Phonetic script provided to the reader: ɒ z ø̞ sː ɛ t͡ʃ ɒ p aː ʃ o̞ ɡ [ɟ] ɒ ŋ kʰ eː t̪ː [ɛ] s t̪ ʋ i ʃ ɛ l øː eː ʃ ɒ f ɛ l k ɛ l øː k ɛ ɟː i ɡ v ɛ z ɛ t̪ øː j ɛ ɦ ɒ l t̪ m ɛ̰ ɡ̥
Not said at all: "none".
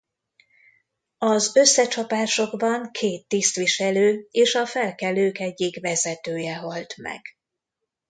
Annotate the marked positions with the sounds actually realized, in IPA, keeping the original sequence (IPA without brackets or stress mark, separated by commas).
b, i